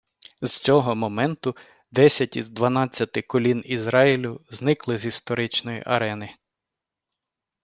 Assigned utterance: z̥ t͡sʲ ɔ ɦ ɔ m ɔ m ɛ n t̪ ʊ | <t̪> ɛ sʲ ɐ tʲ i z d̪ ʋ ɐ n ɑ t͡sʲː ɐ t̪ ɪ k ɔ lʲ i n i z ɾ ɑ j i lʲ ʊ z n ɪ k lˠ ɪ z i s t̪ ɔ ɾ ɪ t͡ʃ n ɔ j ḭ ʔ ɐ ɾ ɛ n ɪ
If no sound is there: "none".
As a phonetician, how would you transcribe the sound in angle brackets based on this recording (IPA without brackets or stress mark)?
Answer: d̪